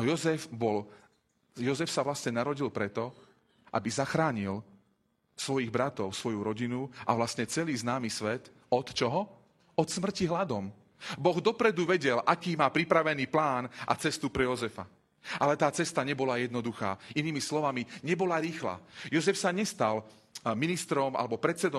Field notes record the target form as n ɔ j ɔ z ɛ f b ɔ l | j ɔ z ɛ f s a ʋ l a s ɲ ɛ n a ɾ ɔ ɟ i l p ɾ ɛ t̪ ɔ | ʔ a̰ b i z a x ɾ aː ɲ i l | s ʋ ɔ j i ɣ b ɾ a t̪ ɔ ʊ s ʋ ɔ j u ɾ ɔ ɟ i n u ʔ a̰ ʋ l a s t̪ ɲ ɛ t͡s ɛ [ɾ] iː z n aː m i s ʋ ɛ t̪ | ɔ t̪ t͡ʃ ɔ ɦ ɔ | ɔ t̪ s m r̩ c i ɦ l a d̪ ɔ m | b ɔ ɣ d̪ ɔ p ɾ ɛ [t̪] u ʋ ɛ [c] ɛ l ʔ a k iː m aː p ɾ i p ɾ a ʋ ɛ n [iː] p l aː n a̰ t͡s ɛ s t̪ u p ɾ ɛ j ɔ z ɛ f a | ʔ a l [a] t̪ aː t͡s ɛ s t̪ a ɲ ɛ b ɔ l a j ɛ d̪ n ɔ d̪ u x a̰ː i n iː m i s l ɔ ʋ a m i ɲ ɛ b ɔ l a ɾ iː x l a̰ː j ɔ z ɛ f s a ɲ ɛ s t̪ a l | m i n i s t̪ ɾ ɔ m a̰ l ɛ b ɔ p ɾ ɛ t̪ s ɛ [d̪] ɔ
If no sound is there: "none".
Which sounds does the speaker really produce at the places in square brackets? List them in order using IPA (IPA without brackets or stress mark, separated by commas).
l, d̪, ɟ, iː, ɛ, d̪